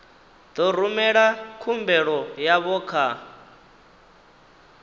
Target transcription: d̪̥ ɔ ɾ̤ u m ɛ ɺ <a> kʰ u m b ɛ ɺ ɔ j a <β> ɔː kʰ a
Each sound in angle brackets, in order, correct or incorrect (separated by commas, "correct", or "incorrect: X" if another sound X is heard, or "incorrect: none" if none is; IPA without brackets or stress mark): correct, correct